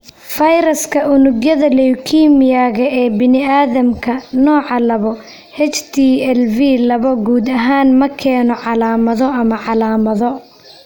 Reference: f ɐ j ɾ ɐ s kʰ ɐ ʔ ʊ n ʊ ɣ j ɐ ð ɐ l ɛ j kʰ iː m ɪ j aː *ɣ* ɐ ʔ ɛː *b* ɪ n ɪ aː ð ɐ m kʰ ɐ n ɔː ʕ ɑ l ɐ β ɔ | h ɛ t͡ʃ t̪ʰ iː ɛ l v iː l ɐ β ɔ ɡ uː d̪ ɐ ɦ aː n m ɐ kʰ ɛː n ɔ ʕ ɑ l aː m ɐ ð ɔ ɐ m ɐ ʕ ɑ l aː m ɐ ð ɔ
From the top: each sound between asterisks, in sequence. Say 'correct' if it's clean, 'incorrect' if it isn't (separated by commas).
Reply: correct, correct